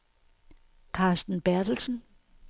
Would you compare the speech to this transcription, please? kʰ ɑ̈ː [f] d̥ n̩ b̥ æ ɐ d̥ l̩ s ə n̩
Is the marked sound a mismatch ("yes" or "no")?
yes